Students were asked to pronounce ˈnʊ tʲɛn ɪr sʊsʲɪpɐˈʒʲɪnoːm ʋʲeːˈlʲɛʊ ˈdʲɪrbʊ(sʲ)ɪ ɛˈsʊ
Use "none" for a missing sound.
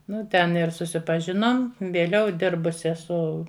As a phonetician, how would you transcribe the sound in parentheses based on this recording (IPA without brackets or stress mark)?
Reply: sʲ